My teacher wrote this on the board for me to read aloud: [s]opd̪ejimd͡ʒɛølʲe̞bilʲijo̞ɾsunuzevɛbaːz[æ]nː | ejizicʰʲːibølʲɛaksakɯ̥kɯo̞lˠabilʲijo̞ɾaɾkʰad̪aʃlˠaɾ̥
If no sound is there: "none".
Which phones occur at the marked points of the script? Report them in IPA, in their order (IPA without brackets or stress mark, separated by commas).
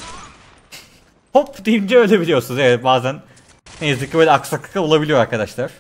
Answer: h, æ